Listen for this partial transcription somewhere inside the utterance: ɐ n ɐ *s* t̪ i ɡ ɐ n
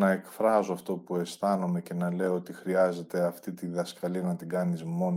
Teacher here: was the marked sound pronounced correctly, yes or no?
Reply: no